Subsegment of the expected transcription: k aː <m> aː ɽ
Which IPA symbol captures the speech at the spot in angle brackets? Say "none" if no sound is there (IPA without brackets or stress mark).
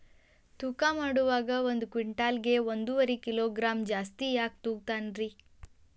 m